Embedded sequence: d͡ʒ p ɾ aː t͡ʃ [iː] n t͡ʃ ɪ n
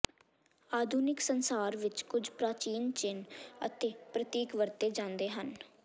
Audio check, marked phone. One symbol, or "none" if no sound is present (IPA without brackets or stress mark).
iː